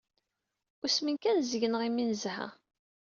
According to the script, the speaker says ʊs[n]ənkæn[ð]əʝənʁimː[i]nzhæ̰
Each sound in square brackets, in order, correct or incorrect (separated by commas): incorrect, incorrect, correct